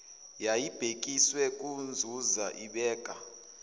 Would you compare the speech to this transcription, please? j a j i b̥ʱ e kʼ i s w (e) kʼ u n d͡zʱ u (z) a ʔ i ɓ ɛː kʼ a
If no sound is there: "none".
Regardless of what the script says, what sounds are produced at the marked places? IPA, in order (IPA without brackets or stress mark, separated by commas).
ɛ, z